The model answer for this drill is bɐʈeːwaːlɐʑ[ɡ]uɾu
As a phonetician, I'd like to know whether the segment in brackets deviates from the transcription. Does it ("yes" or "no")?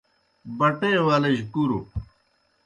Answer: yes